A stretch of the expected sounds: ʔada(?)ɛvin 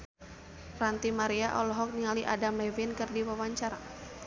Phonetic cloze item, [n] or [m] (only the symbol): m